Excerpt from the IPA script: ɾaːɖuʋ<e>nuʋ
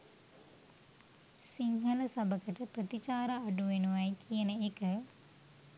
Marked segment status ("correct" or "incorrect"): correct